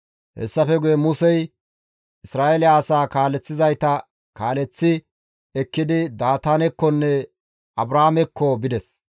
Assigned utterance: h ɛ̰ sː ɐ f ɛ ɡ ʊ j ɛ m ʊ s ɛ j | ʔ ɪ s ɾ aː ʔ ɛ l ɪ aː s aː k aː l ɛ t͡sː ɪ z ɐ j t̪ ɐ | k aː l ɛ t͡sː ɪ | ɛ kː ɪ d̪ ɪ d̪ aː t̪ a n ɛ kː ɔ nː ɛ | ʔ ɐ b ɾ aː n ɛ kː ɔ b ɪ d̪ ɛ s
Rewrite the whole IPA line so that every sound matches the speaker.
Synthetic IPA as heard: h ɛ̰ sː ɐ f ɛ ɡ ʊ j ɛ m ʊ s ɛ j | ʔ ɪ s ɾ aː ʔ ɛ l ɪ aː s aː k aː l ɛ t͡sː ɪ z ɐ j t̪ ɐ | k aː l ɛ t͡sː ɪ | ɛ kː ɪ d̪ ɪ d̪ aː t̪ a n ɛ kː ɔ nː ɛ | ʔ ɐ b ɾ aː m ɛ kː ɔ b ɪ d̪ ɛ s